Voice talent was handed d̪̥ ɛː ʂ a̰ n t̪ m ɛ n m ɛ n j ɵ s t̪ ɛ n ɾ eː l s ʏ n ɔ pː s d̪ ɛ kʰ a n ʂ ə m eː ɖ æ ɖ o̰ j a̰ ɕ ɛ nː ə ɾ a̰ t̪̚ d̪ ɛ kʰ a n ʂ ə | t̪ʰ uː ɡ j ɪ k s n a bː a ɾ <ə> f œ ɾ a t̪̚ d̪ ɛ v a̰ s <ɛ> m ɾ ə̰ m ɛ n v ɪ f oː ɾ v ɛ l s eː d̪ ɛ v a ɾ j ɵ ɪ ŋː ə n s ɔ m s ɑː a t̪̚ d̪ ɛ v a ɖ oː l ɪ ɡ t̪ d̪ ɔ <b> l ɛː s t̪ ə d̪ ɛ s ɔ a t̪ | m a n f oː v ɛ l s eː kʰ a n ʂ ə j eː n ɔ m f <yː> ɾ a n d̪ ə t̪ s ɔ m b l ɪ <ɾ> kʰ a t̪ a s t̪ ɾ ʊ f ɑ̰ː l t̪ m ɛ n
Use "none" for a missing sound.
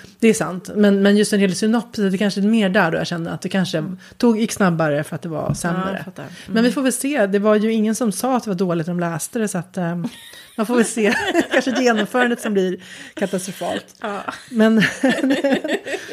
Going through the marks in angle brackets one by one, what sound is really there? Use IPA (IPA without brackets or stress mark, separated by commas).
ə, ɛ, m, œː, ɾ